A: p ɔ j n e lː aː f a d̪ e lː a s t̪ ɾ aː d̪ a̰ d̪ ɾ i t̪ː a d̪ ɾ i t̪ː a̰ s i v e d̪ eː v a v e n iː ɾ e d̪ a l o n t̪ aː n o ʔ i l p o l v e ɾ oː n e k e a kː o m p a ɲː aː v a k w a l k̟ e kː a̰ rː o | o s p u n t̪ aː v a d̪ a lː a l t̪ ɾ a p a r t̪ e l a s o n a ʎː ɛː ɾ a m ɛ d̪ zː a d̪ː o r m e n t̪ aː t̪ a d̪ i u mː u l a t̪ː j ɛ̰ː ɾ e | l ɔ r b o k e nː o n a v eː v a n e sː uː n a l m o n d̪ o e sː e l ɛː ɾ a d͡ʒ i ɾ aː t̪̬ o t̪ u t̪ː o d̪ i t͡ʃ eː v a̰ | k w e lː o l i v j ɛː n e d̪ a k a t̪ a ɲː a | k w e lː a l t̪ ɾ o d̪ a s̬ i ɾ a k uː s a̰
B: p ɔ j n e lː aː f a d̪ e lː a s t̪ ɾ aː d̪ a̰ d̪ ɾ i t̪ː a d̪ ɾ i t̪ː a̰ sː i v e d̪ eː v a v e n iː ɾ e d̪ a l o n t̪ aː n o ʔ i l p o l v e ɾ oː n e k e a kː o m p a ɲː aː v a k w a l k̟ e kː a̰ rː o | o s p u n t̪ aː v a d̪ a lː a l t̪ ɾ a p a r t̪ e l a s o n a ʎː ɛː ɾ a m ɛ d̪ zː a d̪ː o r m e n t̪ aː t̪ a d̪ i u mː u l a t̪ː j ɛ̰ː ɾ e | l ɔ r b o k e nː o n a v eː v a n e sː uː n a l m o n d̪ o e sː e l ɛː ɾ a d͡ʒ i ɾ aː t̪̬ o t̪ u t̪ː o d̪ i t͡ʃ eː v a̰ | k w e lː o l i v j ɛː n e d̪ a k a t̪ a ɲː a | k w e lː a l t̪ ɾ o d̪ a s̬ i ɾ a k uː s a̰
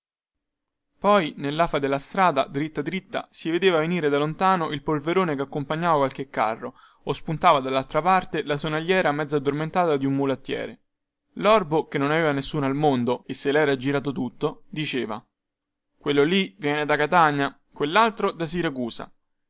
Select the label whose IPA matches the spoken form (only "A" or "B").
A